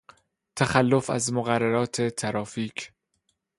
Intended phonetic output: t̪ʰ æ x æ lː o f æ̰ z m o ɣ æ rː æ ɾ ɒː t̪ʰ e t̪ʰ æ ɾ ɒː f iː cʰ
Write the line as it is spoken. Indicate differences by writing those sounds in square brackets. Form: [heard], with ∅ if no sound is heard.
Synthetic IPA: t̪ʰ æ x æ lː o f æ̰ z m o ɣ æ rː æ ɾ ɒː t̪ʰ e t̪ʰ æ ɾ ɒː f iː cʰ